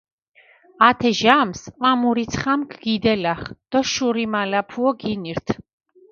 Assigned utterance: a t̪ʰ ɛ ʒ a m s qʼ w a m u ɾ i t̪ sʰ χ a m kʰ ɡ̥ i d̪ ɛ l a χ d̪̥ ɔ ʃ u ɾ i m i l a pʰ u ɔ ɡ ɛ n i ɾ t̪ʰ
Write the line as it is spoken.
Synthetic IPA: a t̪ʰ ɛ ʒ a m s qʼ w a m u ɾ i t̪ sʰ χ a m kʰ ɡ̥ i d̪ ɛ l a χ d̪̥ ɔ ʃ u ɾ i m a l a pʰ u ɔ ɡ i n i ɾ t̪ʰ